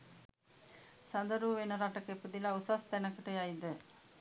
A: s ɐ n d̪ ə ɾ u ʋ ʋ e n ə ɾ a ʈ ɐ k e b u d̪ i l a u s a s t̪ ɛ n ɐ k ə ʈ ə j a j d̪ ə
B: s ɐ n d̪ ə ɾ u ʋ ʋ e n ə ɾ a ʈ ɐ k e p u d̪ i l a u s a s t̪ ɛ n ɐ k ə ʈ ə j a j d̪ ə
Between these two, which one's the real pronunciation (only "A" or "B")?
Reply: B